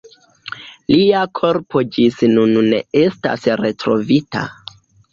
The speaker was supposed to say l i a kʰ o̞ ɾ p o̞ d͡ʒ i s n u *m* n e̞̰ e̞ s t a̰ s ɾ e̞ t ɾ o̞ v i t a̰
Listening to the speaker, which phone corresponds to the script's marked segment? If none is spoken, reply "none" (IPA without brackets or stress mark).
n